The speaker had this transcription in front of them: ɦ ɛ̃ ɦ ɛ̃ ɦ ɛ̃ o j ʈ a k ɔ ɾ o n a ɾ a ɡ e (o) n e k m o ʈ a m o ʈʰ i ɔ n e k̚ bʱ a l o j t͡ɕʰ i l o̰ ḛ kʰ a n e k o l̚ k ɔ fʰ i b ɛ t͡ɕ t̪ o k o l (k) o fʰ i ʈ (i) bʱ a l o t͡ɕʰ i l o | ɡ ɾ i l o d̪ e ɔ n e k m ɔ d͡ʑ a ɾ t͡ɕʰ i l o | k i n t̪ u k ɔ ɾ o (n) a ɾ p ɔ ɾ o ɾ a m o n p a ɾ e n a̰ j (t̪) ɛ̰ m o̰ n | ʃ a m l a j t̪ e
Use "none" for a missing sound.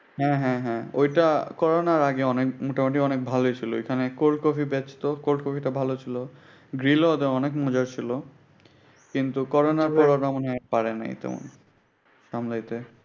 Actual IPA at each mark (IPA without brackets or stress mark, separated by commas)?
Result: ɔ, k, a, n, t̪